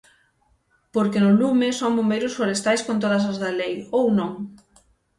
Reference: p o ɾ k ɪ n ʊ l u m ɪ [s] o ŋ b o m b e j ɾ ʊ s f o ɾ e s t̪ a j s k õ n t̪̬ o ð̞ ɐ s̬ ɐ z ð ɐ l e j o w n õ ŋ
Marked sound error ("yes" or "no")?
no